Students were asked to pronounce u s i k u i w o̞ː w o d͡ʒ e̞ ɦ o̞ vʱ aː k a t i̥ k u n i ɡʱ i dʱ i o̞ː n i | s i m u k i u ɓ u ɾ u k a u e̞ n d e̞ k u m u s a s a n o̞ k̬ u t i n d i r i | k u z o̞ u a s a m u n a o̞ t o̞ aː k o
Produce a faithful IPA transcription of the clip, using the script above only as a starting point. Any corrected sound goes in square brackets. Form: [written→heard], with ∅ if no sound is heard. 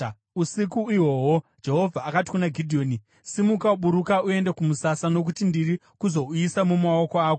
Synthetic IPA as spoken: u s i k u i w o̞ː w o d͡ʒ e̞ ɦ o̞ vʱ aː k a t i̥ k u n [i→a] ɡʱ i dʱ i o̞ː n i | s i m u k [i→a] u ɓ u ɾ u k a u e̞ n d e̞ k u m u s a s a n o̞ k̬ u t i n d i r i | k u z o̞ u [a→i] s a m u [n→m] a o̞ [t→k] o̞ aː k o